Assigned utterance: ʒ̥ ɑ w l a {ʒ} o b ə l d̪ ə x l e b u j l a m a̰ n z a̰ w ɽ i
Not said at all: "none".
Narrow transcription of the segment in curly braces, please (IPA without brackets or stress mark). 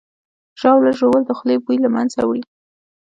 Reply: ʒ